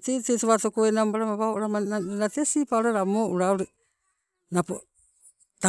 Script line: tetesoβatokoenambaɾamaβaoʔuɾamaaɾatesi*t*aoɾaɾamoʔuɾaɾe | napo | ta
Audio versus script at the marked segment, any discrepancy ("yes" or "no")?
yes